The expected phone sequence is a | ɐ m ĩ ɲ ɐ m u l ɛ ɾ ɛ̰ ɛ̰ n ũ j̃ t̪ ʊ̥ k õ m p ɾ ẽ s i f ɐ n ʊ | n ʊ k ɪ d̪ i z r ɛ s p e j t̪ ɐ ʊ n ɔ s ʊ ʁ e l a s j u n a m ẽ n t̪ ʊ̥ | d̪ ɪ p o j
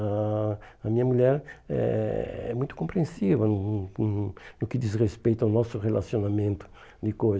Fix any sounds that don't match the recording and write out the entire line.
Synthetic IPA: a | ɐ m ĩ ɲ ɐ m u ʎ ɛ ɾ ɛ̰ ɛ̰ m ũ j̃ t̪ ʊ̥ k õ m p ɾ ẽ s i v ɐ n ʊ | n ʊ k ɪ d̪ i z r e s p e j t̪ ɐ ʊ n ɔ s ʊ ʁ e l a s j o n a m ẽ n t̪ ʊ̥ | d̪ ɪ k o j